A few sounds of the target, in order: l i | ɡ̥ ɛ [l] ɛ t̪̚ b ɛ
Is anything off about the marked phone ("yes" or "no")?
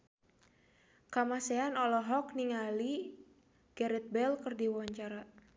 yes